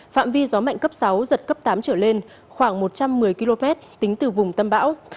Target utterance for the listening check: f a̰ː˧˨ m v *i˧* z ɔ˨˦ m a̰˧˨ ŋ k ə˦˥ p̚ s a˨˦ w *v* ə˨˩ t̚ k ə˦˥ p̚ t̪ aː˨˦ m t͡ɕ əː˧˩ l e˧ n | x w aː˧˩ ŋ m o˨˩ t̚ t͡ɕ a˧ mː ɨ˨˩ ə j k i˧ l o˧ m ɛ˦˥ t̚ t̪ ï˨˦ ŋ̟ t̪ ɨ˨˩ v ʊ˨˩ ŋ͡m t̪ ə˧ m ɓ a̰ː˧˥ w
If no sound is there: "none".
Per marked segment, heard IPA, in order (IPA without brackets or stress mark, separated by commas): i˧, z